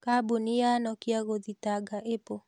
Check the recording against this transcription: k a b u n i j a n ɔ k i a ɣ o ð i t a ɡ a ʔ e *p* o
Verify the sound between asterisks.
correct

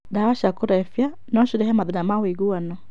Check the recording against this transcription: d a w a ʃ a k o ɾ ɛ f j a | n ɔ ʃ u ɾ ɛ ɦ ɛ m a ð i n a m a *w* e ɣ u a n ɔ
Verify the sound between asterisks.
correct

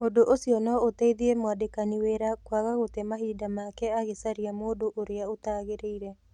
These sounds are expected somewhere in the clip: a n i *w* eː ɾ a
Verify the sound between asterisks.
correct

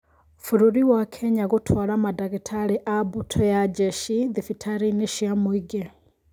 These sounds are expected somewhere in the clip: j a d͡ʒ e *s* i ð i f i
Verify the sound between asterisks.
incorrect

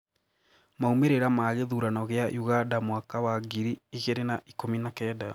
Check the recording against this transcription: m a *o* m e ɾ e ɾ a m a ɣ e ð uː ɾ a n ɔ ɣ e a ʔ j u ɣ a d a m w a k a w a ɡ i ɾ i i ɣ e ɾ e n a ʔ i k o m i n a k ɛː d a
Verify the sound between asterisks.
incorrect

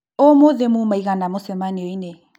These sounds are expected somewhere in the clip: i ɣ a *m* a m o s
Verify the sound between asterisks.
incorrect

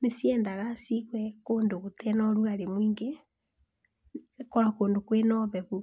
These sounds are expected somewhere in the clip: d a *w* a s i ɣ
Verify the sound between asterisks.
incorrect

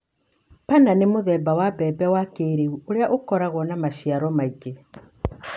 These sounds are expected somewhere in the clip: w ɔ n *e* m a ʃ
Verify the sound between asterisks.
incorrect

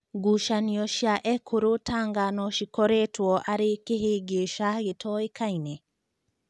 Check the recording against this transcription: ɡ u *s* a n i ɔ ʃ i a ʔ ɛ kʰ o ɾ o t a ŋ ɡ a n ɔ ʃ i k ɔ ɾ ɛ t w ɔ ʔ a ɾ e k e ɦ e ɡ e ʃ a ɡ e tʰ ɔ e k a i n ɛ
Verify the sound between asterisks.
incorrect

